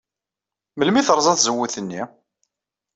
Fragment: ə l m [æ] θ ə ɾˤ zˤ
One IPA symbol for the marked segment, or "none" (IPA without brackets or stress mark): i